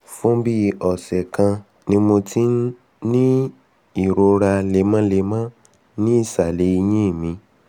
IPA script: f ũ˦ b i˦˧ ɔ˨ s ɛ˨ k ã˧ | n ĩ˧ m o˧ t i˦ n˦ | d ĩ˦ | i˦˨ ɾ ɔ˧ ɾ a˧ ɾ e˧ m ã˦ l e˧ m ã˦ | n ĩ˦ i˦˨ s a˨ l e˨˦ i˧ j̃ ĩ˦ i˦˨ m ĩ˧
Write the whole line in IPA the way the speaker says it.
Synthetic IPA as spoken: f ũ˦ b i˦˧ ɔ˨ s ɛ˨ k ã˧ | n ĩ˧ m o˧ t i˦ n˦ | n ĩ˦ | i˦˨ ɾ o˧ ɾ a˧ l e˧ m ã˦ l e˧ m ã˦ | n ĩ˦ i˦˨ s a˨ l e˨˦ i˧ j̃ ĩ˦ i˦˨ m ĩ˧